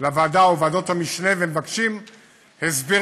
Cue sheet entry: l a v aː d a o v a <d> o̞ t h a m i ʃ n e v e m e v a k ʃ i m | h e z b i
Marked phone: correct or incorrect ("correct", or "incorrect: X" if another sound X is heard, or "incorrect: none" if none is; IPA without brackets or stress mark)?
correct